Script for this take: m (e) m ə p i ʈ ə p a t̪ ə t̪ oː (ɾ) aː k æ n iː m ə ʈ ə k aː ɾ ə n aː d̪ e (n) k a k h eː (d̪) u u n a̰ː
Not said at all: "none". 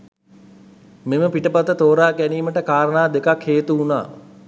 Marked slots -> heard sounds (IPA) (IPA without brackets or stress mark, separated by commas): e, ɾ, none, t̪